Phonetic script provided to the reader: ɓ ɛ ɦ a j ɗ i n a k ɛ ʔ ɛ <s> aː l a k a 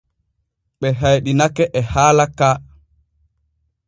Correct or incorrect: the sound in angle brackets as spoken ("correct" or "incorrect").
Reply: incorrect